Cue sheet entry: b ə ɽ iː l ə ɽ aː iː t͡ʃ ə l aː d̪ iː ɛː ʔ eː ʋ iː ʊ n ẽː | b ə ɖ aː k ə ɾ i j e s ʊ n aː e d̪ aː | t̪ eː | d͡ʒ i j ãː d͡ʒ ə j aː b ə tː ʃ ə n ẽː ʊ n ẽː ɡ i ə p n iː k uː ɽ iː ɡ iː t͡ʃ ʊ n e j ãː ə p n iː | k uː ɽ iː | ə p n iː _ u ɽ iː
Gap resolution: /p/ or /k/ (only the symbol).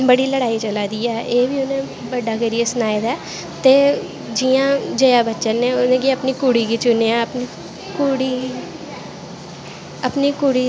k